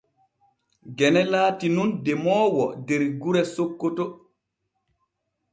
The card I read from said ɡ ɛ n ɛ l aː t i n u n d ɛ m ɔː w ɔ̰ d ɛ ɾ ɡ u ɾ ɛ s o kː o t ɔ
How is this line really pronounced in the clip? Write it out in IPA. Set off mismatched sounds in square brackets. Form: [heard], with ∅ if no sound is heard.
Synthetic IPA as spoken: ɡ ɛ n ɛ l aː t i n u n d ɛ m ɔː w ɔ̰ d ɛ ɾ ɡ u ɾ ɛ s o kː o t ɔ